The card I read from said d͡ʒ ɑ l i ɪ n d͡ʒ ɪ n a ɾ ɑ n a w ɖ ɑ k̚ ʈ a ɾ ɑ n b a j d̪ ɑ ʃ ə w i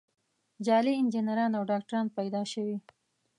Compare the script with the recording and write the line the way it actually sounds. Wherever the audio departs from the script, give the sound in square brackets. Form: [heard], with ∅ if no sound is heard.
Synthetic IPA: d͡ʒ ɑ l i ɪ n d͡ʒ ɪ n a ɾ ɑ n a w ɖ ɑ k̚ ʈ a ɾ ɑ n [p] a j d̪ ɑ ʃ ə w i